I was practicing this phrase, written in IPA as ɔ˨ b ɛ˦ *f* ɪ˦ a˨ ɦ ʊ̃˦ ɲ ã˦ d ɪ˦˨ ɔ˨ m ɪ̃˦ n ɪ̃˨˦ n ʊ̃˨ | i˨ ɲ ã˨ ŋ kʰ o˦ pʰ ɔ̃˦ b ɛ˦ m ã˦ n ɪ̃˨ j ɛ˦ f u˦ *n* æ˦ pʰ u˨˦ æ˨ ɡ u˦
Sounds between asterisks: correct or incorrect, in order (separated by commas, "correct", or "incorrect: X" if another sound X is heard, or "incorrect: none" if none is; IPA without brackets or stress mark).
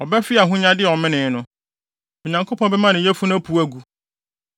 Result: correct, correct